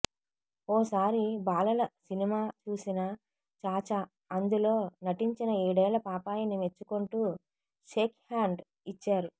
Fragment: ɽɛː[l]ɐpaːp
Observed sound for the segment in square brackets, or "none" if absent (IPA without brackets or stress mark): l